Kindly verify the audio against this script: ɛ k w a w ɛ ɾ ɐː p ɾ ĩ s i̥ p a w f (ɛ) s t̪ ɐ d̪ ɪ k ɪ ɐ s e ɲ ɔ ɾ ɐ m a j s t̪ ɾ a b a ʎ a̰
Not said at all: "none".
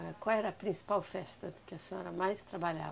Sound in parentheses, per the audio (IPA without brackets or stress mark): ɛ